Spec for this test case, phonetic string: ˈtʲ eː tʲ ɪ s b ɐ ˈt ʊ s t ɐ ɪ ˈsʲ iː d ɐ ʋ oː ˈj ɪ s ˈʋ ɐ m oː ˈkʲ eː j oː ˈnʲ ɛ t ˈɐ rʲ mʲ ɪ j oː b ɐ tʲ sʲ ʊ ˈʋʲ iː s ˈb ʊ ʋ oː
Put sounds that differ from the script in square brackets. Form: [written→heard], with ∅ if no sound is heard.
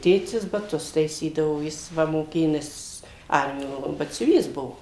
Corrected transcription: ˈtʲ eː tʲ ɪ s b ɐ ˈt ʊ s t ɐ ɪ ˈsʲ iː d ɐ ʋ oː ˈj ɪ s ˈʋ ɐ m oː ˈkʲ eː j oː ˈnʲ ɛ [t→s] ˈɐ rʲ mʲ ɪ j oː b ɐ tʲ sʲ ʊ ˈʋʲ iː s ˈb ʊ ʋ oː